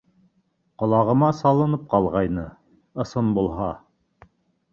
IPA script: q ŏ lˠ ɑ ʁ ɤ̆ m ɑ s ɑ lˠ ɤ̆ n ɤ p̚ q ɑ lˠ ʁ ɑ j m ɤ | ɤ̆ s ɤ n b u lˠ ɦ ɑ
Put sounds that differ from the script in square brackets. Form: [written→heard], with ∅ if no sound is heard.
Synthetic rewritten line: q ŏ lˠ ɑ ʁ ɤ̆ m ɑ s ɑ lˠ ɤ̆ n ɤ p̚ q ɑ lˠ ʁ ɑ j [m→n] ɤ | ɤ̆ s ɤ n b u lˠ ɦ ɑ

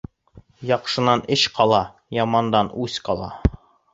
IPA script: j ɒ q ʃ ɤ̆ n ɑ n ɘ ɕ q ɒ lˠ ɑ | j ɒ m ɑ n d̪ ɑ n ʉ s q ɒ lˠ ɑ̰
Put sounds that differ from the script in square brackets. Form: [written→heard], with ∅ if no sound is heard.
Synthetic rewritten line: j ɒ q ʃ ɤ̆ n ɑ n ɘ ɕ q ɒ lˠ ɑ | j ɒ m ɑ n d̪ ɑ n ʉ s q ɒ lˠ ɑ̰

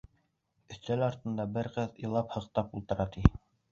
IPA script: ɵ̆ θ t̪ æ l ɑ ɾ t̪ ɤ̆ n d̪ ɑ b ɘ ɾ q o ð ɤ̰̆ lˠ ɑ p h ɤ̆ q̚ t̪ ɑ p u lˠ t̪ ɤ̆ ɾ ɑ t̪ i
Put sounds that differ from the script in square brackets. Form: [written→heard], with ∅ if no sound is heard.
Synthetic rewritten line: ɵ̆ θ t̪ æ l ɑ ɾ t̪ ɤ̆ n d̪ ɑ b ɘ ɾ q [o→ɤ] ð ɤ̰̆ lˠ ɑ p h ɤ̆ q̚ t̪ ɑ p u lˠ t̪ ɤ̆ ɾ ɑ t̪ i

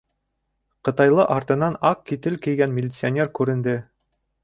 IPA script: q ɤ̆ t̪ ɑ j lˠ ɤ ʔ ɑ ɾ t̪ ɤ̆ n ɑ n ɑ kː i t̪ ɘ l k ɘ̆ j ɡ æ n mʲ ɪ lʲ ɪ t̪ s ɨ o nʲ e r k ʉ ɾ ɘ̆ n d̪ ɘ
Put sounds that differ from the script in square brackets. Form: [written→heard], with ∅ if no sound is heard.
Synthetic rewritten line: q ɤ̆ t̪ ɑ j lˠ ɤ ʔ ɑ ɾ t̪ ɤ̆ n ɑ n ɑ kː i t̪ ɘ l k ɘ̆ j ɡ æ n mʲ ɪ lʲ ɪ t̪ s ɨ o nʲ e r k ʉ ɾ ɘ̆ n d̪ ɘ

